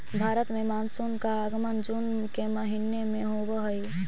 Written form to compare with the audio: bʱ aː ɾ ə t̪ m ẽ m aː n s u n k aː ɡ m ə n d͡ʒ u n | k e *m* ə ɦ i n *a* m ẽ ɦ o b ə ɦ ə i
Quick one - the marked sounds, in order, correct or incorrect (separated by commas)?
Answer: correct, incorrect